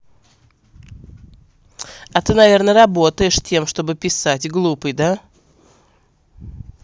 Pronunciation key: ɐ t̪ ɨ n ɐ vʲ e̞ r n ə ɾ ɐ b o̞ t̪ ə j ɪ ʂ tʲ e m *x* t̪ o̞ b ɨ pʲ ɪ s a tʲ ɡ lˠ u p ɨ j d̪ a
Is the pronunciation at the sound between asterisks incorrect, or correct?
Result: incorrect: ʂ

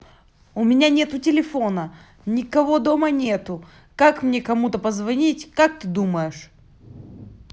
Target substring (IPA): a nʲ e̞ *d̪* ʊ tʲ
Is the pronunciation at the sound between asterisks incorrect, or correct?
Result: incorrect: t̪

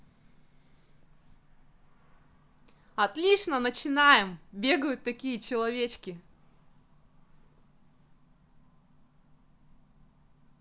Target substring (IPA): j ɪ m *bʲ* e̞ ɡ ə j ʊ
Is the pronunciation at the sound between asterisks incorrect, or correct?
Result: correct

